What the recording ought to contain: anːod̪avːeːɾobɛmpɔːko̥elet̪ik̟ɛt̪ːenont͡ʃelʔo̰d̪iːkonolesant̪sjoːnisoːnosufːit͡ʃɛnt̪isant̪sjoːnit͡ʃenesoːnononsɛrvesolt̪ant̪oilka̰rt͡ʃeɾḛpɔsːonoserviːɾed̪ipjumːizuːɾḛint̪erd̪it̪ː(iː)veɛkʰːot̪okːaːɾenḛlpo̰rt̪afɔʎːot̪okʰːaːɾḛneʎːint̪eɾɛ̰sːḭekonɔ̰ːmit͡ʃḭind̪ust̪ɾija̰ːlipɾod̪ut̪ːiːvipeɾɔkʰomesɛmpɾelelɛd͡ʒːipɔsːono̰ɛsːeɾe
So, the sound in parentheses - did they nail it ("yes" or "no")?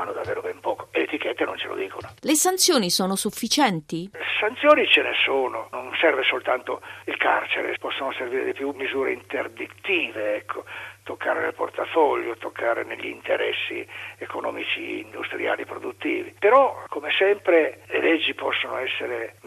yes